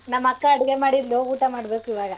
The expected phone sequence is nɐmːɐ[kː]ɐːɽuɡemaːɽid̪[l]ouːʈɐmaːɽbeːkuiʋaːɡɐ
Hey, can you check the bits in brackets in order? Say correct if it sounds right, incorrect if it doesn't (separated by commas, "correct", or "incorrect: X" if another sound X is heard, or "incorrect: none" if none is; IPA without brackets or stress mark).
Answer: correct, correct